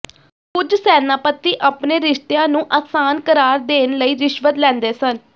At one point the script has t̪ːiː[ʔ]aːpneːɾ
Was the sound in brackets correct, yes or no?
yes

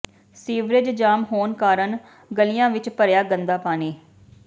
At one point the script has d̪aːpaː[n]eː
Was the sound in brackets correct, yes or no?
yes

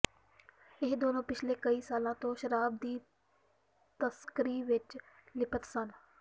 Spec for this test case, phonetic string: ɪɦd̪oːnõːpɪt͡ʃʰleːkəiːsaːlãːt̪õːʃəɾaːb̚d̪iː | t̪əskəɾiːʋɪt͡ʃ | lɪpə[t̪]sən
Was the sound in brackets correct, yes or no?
yes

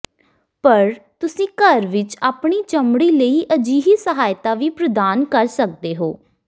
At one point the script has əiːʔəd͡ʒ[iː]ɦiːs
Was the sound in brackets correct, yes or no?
yes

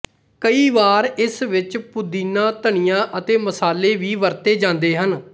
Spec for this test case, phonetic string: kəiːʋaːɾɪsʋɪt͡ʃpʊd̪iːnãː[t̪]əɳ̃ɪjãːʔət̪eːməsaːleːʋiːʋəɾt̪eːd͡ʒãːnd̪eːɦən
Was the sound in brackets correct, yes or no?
yes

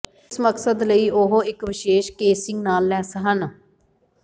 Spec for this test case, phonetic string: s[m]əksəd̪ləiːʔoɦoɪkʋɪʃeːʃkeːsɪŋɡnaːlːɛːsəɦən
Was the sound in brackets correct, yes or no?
yes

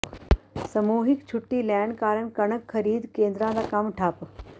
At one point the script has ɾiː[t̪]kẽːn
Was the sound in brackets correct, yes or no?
no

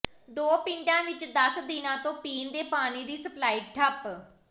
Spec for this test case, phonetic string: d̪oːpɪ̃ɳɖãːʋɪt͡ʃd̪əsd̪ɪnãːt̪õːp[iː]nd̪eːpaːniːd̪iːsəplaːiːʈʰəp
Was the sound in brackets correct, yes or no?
yes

